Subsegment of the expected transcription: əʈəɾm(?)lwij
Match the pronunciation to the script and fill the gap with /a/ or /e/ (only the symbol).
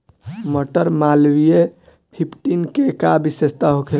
a